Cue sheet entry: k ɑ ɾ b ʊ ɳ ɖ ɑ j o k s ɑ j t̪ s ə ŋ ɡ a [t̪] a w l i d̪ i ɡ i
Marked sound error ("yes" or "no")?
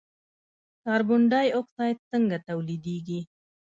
no